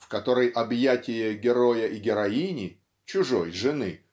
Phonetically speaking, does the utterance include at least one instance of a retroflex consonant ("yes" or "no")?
yes